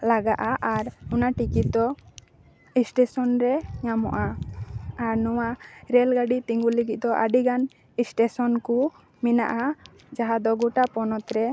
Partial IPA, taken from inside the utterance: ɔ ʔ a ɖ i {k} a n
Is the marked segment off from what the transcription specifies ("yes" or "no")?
yes